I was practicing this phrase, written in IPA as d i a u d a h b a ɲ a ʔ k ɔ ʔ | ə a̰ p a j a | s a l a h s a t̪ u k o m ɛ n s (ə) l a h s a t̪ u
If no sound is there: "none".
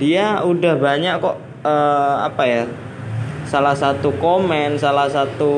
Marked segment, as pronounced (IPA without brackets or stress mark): a